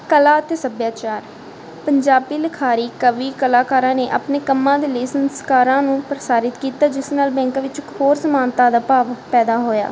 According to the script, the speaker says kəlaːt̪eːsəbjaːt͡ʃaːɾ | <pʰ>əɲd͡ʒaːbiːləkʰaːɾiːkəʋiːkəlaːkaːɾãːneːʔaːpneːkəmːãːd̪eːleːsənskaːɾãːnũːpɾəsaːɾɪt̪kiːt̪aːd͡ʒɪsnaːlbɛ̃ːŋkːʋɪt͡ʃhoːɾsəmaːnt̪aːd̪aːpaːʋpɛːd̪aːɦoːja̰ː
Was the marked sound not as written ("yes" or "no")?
yes